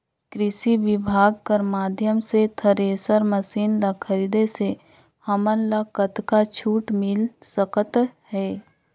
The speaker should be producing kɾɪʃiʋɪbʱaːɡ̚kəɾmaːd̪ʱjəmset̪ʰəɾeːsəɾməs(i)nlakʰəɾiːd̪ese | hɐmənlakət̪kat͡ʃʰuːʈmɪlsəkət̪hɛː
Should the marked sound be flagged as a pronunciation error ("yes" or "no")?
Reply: yes